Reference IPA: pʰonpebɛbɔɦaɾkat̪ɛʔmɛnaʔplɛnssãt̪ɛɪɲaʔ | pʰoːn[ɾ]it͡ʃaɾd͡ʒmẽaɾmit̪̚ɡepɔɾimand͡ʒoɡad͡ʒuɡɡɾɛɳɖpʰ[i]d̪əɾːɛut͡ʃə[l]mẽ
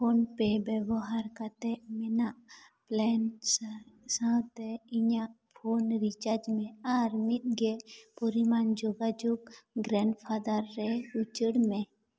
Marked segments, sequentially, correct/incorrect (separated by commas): correct, incorrect, incorrect